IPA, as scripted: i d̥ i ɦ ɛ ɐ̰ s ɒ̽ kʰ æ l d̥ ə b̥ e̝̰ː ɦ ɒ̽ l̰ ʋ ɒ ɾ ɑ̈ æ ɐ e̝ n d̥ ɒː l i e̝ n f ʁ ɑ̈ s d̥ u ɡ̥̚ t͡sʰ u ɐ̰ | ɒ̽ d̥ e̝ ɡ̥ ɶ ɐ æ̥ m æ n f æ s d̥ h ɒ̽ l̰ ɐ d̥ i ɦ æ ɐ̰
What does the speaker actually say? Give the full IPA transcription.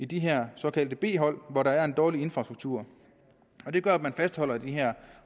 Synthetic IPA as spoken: i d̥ i ɦ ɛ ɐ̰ s ɒ̽ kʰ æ l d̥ ə b̥ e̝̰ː ɦ ɒ̽ l̰ ʋ ɒ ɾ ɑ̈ æ ɐ e̝ n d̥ ɒː l i e̝ n f ʁ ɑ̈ s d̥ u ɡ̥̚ t͡sʰ u ɐ̰ | ɒ̽ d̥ e̝ ɡ̥ ɶ ɐ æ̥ m æ n f æ s d̥ h ɒ̽ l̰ ɐ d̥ i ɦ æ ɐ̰